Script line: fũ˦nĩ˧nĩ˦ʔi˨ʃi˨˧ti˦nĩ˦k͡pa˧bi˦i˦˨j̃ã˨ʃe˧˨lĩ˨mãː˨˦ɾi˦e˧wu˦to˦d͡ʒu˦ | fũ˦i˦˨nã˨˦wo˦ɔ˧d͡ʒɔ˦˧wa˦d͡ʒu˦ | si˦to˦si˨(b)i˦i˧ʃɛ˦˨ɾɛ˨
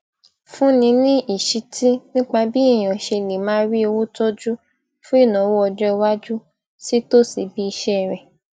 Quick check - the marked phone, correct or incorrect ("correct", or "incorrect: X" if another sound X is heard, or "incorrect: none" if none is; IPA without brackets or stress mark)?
correct